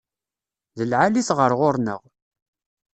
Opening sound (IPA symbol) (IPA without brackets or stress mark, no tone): ð